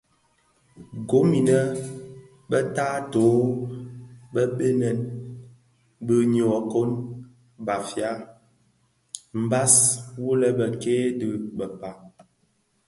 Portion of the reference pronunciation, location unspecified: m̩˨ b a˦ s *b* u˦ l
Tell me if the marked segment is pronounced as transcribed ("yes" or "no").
no